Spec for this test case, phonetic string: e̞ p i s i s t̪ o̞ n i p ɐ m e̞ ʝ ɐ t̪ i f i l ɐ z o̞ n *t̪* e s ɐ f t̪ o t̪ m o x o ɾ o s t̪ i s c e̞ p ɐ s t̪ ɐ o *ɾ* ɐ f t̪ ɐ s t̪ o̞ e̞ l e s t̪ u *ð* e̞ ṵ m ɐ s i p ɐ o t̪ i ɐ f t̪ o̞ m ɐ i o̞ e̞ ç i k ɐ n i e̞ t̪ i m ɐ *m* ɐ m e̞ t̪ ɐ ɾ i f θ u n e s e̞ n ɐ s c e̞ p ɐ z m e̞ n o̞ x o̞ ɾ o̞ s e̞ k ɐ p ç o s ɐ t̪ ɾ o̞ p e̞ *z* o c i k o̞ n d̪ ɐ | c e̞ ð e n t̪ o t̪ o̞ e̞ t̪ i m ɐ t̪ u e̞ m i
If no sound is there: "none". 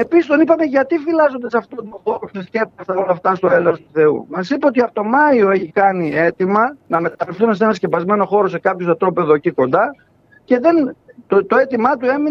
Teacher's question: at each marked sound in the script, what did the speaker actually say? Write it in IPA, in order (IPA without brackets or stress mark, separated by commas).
d̪, l, θ, n, ð